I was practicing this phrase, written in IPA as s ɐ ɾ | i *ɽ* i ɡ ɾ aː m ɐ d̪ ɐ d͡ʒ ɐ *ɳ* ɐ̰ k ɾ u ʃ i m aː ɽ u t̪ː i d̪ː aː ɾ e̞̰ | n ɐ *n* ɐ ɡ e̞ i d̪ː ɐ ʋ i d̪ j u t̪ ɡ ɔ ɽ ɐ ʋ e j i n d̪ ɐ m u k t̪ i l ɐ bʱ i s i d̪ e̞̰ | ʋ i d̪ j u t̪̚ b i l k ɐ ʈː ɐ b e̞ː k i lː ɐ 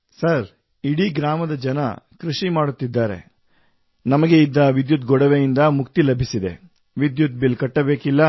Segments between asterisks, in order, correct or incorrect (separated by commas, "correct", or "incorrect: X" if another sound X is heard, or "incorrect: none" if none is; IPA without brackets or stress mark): correct, incorrect: n, incorrect: m